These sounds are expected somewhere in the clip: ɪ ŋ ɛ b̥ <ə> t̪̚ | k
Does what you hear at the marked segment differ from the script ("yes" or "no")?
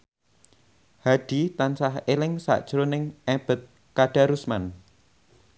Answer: no